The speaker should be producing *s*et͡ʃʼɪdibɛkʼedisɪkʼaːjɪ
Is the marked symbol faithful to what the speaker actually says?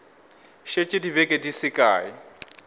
no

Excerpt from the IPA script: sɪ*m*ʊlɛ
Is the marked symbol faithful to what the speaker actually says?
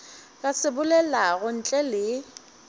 no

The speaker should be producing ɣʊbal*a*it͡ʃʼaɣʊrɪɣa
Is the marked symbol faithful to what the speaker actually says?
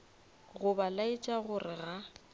yes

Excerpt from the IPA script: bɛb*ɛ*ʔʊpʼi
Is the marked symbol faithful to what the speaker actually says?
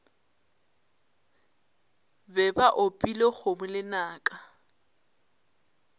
no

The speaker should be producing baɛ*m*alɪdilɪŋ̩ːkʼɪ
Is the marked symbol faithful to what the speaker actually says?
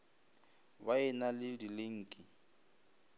no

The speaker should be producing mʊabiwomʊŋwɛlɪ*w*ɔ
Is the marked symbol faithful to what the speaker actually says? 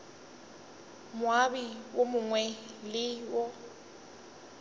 yes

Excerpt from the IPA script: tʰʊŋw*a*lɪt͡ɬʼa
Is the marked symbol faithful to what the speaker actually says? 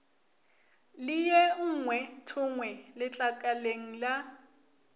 no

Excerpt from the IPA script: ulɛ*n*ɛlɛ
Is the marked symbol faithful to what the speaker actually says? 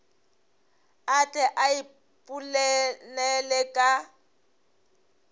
yes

